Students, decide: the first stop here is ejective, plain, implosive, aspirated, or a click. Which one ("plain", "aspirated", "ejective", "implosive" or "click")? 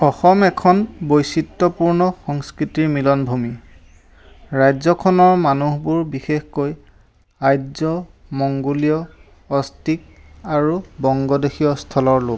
aspirated